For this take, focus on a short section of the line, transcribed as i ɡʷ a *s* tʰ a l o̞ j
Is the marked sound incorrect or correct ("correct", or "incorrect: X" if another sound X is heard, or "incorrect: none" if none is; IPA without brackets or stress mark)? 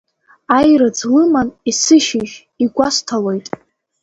correct